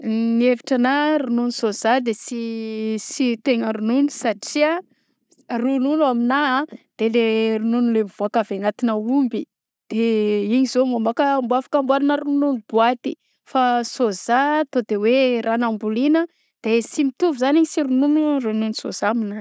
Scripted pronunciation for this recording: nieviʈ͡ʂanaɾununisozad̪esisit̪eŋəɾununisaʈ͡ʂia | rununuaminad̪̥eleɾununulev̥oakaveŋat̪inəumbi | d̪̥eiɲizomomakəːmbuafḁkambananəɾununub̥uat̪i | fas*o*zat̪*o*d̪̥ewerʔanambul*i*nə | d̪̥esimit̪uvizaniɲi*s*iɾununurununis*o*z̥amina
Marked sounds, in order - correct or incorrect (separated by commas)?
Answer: correct, correct, correct, correct, correct